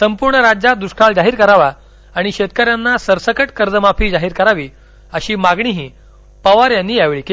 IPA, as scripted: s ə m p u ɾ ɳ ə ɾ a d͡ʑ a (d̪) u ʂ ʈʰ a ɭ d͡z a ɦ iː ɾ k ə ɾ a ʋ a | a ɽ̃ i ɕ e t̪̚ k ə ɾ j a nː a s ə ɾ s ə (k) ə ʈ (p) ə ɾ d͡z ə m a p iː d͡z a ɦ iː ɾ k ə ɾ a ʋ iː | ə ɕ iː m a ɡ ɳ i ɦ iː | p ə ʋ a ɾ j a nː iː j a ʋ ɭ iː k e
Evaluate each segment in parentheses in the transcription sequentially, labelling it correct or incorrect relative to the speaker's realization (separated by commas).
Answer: correct, correct, incorrect